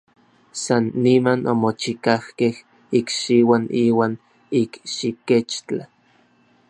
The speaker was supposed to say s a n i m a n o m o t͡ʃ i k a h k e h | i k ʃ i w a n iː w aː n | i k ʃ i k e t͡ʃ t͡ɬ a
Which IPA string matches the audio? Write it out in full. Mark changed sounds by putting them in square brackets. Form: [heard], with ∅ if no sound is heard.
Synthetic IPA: s a [nː] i m a n o m o t͡ʃ i k a h k e h | i k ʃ i w a n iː w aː n | i k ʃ i k e t͡ʃ t͡ɬ a